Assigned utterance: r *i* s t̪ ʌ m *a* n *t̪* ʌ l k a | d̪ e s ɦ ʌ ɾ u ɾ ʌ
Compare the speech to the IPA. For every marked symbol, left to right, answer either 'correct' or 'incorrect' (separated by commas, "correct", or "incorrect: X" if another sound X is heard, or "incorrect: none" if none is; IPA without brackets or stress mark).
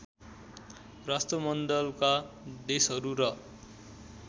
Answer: incorrect: a, incorrect: ʌ, incorrect: d̪